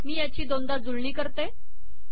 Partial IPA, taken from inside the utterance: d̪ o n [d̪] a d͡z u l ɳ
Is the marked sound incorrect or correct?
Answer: correct